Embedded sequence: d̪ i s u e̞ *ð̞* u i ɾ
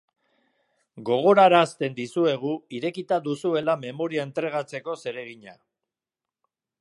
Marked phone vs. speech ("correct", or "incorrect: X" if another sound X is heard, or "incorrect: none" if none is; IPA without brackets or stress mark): incorrect: ɣ̞